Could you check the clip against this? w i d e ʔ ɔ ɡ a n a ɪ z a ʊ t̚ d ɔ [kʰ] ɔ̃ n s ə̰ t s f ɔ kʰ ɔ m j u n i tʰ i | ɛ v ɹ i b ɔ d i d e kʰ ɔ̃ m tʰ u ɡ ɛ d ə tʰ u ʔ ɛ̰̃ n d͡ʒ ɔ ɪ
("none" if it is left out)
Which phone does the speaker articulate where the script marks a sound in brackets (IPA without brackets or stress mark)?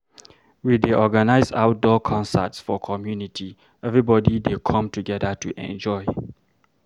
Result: kʰ